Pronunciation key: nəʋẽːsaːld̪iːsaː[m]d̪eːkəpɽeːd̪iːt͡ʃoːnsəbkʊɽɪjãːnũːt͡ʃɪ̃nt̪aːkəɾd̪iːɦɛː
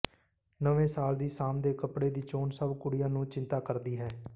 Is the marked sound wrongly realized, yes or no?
no